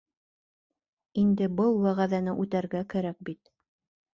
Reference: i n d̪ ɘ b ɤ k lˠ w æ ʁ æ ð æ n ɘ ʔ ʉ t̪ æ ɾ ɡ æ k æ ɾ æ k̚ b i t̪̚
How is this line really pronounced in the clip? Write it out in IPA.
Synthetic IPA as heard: i n d̪ ɘ b ɤ lˠ w æ ʁ æ ð æ n ɘ ʔ ʉ t̪ æ ɾ ɡ æ k æ ɾ æ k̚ b i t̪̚